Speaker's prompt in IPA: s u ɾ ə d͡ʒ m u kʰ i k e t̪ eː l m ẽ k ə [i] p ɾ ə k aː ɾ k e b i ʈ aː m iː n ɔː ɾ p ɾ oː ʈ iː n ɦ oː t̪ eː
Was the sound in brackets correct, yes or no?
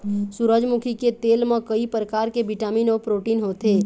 yes